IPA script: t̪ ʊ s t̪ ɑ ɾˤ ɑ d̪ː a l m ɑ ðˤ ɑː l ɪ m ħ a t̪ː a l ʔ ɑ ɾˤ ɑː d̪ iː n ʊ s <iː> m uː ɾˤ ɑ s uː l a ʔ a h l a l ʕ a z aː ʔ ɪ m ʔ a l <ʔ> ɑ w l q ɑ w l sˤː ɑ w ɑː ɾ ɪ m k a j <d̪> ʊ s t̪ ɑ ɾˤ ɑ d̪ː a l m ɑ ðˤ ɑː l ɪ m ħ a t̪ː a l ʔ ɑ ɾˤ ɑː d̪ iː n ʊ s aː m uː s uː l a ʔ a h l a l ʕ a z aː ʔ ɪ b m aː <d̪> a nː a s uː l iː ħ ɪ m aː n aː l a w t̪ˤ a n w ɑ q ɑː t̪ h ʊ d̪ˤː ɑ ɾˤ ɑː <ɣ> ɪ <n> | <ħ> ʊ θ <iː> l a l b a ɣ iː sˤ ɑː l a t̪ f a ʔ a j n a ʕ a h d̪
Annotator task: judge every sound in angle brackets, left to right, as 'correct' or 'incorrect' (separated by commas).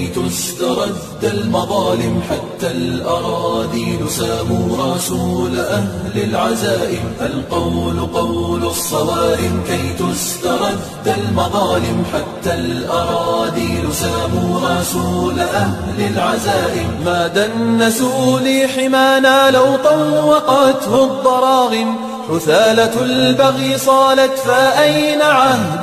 incorrect, incorrect, incorrect, correct, correct, incorrect, correct, incorrect